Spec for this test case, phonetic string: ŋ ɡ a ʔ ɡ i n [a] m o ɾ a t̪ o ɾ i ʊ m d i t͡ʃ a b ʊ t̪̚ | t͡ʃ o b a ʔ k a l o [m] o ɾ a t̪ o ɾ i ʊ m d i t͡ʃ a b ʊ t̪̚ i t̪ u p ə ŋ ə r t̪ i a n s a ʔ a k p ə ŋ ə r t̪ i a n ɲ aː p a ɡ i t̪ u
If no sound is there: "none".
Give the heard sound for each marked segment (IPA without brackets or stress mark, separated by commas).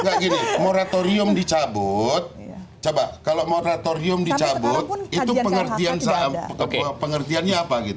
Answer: i, m